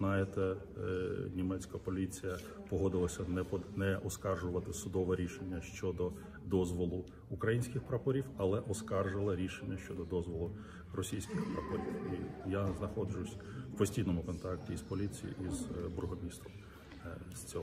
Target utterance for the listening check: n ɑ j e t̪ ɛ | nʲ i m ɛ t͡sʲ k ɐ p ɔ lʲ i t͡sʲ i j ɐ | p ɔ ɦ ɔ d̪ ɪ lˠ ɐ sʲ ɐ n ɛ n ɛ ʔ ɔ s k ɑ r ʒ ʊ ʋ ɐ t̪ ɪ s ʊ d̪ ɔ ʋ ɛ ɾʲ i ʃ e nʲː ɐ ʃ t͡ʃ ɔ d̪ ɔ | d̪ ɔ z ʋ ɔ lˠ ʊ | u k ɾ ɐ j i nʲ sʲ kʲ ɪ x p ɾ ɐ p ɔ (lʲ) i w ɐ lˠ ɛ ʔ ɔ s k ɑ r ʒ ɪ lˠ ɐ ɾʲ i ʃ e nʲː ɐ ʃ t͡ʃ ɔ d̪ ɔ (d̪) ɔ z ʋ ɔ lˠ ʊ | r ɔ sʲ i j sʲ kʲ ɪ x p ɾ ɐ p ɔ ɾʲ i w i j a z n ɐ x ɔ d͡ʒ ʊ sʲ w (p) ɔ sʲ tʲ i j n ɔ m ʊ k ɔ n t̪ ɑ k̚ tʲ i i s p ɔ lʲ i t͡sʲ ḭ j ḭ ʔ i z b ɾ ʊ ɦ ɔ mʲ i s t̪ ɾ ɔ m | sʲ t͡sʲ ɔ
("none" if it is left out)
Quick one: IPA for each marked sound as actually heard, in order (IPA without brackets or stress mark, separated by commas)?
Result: ɾʲ, d̪, p